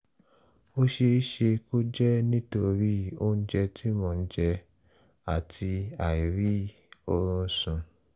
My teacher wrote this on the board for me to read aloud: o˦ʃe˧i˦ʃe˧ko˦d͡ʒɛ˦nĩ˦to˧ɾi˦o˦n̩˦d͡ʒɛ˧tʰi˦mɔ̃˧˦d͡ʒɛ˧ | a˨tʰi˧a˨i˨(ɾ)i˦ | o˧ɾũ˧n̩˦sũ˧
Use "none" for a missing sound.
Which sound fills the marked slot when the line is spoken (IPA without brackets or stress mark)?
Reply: ɾ